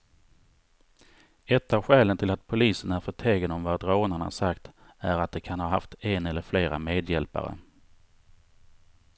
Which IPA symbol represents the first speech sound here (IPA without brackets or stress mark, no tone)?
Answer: ɛ